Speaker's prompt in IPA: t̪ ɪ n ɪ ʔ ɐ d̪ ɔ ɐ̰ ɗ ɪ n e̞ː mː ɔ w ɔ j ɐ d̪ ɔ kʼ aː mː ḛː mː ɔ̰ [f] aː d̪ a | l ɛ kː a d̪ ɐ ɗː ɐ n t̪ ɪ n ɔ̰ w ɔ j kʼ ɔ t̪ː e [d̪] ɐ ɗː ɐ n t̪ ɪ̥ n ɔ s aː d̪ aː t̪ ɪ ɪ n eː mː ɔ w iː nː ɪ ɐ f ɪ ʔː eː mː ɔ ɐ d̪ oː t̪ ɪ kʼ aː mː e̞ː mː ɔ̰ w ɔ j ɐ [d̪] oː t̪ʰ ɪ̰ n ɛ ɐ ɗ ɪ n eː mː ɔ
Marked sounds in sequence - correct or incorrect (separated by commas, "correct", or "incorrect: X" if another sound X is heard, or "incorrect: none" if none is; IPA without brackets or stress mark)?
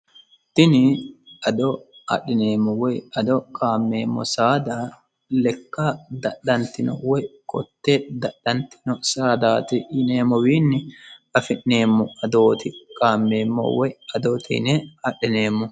incorrect: s, correct, correct